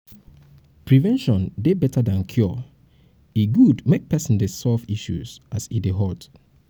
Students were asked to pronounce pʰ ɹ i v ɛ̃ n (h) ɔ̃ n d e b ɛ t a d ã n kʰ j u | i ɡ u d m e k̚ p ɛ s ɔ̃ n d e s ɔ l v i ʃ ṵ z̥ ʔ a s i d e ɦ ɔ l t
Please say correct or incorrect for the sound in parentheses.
incorrect